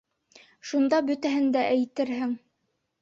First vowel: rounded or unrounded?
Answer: rounded